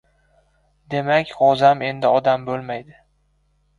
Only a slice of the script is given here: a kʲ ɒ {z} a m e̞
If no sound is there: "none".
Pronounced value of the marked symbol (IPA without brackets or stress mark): z